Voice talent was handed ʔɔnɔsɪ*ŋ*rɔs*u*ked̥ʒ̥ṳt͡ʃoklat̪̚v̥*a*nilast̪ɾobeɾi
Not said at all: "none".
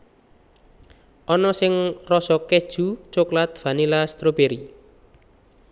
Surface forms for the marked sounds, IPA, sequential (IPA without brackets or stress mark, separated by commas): ŋ, ɔ, a